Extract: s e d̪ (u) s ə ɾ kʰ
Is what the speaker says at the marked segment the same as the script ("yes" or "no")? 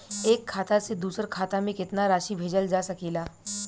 no